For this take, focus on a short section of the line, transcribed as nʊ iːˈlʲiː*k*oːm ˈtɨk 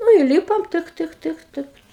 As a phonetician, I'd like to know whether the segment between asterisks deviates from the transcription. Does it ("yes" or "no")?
yes